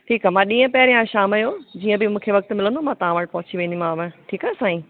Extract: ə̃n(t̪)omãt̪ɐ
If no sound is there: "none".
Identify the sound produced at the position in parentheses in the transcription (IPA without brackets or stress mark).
d̪